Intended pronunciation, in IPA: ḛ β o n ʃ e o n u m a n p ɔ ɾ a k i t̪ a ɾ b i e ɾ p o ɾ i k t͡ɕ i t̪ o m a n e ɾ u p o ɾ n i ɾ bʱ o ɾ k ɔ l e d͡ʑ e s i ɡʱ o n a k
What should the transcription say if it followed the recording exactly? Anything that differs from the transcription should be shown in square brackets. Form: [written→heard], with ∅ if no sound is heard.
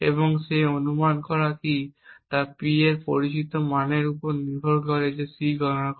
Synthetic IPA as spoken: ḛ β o [n→ŋ] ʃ e o n u m a n [p→k] ɔ ɾ a k i t̪ a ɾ [b→p] i e ɾ p o ɾ i [k→∅] t͡ɕ i t̪ o m a n e ɾ u p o ɾ n i ɾ bʱ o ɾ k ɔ [l→ɾ] e d͡ʑ e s i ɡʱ [o→ɔ] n a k